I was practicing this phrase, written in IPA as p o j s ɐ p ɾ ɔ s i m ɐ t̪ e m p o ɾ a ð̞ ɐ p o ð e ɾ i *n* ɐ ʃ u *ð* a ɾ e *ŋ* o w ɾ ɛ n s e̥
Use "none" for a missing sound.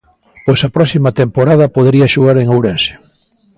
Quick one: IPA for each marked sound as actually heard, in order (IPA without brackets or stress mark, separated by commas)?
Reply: none, ɣ, ŋ